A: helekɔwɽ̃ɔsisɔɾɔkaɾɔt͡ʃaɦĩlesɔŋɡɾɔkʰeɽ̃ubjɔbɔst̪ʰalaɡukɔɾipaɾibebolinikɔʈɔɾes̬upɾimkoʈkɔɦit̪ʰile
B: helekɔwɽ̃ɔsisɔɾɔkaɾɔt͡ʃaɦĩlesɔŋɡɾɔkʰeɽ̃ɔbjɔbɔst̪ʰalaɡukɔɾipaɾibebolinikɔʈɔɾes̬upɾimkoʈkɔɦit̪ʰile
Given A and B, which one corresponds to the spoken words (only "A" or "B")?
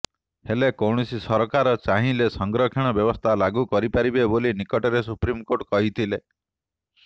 B